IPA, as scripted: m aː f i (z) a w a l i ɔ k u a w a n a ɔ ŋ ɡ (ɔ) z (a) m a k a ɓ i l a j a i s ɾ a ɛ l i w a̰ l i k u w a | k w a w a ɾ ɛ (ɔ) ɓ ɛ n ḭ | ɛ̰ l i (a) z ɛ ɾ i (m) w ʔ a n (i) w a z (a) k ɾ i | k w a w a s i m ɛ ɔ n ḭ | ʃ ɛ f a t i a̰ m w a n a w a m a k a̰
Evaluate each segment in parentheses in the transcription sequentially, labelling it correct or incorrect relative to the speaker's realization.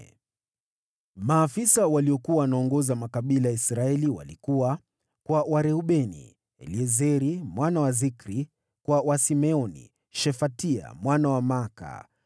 incorrect, correct, correct, incorrect, incorrect, correct, incorrect, incorrect

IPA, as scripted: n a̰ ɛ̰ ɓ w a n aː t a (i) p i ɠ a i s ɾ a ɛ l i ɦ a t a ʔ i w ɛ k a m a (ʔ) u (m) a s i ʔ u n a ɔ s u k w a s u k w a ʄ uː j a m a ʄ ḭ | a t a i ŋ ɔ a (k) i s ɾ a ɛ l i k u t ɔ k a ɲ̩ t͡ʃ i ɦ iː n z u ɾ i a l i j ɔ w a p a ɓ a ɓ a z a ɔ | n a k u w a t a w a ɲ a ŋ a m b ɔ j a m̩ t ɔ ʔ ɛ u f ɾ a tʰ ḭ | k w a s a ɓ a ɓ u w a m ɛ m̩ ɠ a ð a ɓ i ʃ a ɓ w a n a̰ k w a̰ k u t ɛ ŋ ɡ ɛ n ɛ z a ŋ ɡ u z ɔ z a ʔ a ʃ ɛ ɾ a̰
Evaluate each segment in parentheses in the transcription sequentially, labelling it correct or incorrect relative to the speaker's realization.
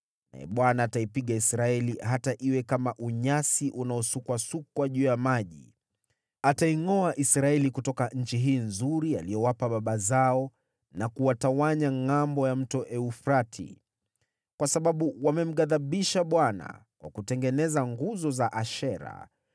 correct, correct, incorrect, incorrect

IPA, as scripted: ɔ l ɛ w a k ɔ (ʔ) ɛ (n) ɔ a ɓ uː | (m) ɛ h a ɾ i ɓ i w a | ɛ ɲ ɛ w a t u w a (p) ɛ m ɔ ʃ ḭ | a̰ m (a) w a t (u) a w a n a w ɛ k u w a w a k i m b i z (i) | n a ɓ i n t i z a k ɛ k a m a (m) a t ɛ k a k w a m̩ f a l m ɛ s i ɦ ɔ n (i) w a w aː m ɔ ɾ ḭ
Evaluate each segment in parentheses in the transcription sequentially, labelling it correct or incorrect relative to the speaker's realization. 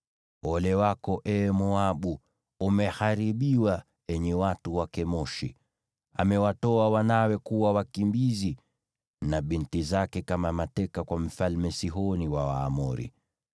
correct, incorrect, correct, incorrect, incorrect, incorrect, correct, correct, correct

